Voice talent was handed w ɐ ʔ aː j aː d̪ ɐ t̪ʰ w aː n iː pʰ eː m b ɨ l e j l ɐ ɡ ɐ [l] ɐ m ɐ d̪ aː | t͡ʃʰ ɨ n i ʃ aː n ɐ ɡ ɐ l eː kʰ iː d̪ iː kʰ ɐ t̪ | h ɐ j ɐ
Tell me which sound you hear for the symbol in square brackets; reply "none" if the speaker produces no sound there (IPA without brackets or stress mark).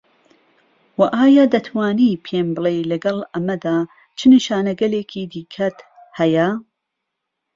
l